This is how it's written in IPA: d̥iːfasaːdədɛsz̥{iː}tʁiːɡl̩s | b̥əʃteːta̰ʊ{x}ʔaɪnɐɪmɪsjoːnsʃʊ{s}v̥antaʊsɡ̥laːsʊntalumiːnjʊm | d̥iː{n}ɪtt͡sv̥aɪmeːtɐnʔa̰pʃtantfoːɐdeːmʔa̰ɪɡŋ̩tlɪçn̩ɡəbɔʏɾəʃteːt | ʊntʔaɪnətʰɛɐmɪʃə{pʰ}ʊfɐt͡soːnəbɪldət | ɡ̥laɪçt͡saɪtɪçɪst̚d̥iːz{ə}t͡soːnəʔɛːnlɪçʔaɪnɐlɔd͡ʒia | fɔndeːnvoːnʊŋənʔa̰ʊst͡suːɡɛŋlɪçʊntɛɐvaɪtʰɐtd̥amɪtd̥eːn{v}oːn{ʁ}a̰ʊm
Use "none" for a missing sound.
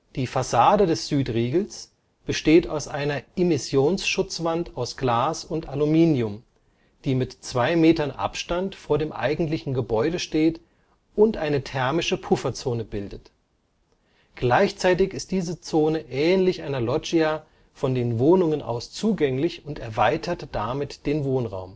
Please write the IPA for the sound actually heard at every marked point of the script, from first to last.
yː, s, t͡s, m, pʰ, ə, v, ʁ

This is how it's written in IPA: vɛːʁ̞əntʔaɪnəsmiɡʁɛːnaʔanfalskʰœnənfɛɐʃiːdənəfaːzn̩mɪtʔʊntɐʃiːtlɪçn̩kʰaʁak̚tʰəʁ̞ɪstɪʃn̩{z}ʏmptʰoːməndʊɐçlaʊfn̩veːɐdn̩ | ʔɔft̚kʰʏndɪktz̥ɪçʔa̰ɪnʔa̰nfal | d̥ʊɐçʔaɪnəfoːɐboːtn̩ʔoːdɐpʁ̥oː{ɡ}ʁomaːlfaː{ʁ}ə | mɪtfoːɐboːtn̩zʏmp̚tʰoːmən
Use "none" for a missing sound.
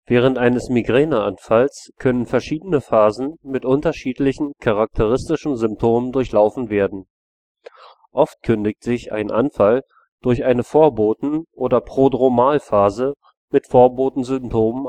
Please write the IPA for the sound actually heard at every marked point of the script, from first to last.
z, d, z

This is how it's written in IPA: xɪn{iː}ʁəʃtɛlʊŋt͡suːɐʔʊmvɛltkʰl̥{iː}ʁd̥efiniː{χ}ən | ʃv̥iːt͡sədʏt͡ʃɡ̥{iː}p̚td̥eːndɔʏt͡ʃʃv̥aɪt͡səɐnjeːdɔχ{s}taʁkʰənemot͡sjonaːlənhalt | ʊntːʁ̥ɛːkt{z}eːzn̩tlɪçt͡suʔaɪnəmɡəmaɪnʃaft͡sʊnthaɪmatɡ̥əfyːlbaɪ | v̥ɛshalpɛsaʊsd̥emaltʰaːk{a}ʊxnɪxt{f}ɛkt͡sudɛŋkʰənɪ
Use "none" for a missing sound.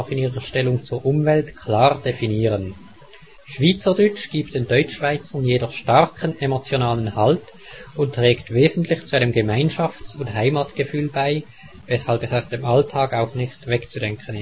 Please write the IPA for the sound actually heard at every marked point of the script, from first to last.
iː, aː, ʁ, iː, ʃ, v, a, v

